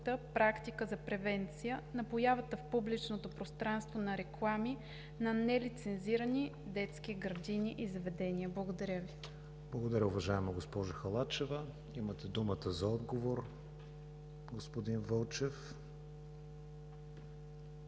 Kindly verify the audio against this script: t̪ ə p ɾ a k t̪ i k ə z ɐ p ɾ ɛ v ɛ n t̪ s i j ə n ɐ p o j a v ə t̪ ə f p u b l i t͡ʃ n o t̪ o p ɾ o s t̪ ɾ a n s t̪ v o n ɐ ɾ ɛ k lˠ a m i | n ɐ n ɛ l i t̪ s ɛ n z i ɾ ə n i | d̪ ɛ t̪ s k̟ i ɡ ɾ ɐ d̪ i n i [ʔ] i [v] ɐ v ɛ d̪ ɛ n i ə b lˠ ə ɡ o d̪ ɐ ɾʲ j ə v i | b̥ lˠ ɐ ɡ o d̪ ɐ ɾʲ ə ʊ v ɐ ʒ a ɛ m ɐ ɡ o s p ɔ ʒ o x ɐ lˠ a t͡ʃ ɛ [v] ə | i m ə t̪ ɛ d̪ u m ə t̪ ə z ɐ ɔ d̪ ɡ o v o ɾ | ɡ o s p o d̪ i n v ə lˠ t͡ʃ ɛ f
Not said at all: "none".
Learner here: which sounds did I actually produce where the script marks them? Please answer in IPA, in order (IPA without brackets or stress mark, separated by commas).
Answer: ʔ, z, v